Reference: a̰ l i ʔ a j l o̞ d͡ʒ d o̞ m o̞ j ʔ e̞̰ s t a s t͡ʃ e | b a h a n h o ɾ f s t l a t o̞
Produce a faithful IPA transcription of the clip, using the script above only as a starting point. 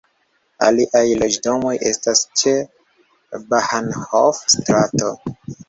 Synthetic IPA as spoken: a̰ l i ʔ a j l o̞ d͡ʒ d o̞ m o̞ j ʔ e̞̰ s t a s t͡ʃ e | b a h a n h o f s t ɾ a t o̞